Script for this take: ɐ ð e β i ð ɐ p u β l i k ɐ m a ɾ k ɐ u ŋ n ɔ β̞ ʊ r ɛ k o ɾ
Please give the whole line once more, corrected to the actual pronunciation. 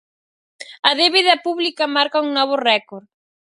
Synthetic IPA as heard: ɐ ð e β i ð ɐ p u β l i k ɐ m a ɾ k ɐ u ŋ n ɔ β̞ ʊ r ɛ k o ɾ